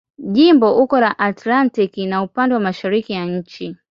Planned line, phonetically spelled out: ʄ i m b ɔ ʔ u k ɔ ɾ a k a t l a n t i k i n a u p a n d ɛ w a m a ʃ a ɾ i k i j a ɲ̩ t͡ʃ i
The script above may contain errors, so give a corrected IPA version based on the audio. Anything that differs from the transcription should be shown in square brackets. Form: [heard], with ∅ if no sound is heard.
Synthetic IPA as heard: ʄ i m b ɔ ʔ u k ɔ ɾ a [ʔ] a t l a n t i k i n a u p a n d ɛ w a m a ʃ a ɾ i k i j a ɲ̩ t͡ʃ i